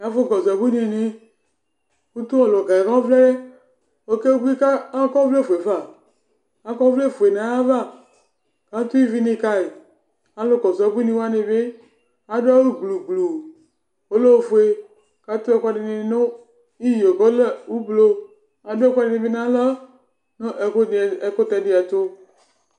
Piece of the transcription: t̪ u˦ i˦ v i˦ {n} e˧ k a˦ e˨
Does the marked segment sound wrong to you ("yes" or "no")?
no